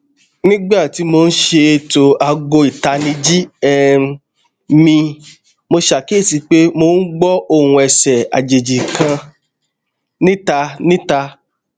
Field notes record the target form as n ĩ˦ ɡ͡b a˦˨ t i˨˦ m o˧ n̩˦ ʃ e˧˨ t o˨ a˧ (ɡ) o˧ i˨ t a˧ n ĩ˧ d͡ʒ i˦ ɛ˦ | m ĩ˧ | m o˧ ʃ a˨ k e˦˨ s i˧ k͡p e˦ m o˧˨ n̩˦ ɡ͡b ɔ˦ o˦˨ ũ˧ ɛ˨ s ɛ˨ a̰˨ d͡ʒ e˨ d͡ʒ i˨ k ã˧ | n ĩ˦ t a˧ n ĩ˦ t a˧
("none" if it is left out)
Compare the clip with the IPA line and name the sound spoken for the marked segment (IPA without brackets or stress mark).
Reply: ɡ